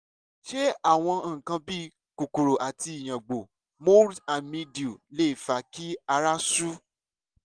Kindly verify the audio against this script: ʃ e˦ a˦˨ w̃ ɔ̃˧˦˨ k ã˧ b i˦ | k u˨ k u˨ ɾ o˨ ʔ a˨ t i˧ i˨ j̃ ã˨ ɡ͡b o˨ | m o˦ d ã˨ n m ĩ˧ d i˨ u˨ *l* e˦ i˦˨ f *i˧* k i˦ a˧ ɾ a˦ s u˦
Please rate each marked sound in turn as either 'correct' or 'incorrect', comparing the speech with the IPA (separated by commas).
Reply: correct, incorrect